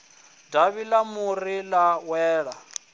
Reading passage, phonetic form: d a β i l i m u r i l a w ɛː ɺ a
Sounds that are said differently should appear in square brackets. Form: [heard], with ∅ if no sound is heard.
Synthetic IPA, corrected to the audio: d a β i l [a] m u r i l a w ɛː ɺ a